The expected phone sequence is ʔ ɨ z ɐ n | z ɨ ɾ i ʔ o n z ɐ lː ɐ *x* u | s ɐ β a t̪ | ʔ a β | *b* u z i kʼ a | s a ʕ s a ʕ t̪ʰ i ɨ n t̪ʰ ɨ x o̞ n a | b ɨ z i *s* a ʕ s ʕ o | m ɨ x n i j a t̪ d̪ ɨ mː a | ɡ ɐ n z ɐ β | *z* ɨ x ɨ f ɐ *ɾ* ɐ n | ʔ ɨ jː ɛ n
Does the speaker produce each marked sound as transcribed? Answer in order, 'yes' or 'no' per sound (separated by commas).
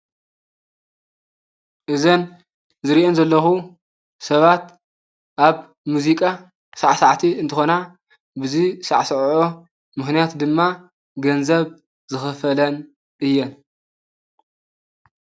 yes, no, yes, yes, no